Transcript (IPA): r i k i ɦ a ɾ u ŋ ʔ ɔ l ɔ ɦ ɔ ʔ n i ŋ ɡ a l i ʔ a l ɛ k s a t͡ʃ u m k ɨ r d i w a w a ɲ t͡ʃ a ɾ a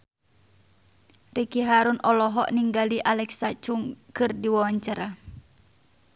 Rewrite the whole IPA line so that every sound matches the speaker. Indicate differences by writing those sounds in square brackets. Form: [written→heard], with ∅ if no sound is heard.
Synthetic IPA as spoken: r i k i ɦ a ɾ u [ŋ→n] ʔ ɔ l ɔ ɦ ɔ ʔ n i ŋ ɡ a l i ʔ a l ɛ k s a t͡ʃ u [m→ŋ] k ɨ r d i w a w a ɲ t͡ʃ a ɾ a

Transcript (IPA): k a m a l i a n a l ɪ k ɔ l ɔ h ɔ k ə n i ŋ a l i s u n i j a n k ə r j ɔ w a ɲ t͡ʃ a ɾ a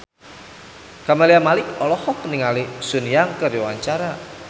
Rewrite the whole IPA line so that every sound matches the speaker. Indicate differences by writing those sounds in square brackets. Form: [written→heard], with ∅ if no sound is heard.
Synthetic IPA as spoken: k a m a l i a [n→m] a l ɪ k ɔ l ɔ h ɔ k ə n i ŋ a l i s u n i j a [n→ŋ] k ə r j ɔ w a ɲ t͡ʃ a ɾ a

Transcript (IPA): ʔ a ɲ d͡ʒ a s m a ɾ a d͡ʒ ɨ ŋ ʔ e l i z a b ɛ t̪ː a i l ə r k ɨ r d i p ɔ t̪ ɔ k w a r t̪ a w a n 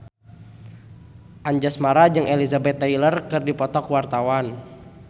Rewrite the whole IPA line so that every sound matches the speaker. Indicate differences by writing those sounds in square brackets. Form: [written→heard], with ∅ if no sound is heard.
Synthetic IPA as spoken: ʔ a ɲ d͡ʒ a s m a ɾ a d͡ʒ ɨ ŋ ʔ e l i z a b ɛ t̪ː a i l ə r k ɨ r d i p ɔ t̪ ɔ k w a r t̪ a w a n

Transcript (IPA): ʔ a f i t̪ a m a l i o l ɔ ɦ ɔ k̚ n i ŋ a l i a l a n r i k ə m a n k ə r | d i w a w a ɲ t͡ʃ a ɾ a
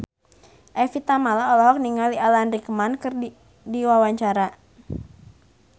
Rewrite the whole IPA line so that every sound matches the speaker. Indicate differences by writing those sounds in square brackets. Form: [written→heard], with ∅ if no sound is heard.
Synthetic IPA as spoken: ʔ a f i t̪ a m a l [i→a] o l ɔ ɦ ɔ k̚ n i ŋ a l i a l a n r i k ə m a n k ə r | d i w a w a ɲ t͡ʃ a ɾ a

